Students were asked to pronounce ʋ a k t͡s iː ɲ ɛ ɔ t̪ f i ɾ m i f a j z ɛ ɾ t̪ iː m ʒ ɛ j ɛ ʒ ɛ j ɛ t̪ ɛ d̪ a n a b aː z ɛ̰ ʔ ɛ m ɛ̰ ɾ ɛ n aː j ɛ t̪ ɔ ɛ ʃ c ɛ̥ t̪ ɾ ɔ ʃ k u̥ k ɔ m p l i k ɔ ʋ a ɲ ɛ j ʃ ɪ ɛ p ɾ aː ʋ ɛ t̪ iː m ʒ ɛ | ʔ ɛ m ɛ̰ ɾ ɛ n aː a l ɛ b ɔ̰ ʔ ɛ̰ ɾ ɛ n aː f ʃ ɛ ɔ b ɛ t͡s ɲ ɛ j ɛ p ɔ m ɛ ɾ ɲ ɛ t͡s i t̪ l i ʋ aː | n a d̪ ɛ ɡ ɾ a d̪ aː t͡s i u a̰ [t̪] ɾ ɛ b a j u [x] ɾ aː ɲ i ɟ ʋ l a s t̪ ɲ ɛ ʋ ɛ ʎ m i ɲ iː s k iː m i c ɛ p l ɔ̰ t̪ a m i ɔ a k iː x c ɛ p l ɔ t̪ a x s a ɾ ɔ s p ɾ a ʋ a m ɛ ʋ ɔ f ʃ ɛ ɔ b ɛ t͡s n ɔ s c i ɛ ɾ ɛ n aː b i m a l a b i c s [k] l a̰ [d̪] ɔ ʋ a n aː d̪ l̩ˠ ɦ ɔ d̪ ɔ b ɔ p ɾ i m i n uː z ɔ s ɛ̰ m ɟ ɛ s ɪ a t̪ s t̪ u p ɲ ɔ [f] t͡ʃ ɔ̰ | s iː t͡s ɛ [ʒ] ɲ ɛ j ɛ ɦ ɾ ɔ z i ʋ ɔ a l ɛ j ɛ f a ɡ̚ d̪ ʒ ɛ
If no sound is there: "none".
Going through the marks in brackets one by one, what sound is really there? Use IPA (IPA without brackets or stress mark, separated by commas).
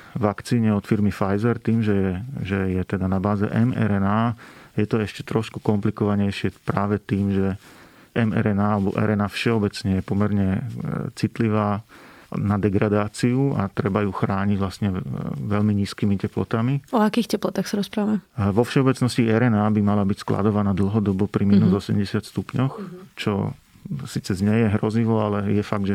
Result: t̪, x, k, d̪, x, z